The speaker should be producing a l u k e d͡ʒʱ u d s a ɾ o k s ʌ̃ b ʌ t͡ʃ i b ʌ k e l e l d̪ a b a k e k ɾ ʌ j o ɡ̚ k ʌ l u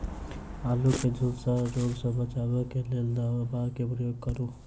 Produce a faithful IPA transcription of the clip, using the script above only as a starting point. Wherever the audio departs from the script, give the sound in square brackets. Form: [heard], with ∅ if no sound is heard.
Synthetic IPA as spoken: a l u k e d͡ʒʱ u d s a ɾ o [ɡ] s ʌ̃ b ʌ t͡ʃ [a] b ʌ k e l e l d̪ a b a k e [p] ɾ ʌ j o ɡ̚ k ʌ [ɾ] u